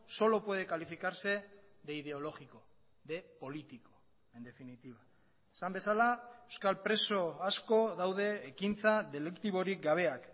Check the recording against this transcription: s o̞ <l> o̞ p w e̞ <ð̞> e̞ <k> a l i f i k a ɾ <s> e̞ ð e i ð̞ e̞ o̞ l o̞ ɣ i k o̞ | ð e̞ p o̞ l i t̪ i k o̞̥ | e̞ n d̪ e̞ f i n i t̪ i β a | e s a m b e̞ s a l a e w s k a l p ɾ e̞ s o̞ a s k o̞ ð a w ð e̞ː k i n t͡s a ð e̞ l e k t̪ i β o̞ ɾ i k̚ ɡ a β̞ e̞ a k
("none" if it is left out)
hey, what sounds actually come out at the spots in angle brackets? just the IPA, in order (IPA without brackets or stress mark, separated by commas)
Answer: l, ð̞, k, s